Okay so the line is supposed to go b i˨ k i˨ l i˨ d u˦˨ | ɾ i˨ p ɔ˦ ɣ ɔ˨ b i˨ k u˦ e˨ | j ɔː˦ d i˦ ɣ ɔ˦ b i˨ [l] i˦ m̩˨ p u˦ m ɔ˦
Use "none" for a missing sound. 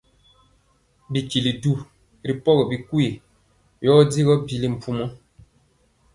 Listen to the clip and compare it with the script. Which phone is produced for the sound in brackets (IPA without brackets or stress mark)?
l